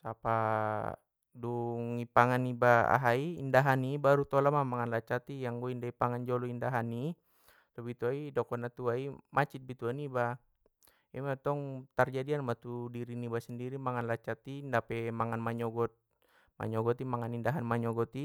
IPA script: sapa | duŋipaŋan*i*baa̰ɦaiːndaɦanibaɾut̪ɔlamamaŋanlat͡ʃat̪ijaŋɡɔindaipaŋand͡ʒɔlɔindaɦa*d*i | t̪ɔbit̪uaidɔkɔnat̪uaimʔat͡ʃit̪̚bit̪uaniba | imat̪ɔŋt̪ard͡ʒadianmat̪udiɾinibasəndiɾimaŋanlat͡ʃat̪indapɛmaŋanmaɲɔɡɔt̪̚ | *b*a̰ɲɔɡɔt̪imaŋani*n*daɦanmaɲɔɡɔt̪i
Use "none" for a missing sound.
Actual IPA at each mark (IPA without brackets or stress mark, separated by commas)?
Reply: i, n, m, n